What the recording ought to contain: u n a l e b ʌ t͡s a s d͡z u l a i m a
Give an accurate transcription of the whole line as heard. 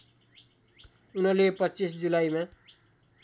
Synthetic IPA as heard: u n ʌ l e p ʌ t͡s i s d͡z u l a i m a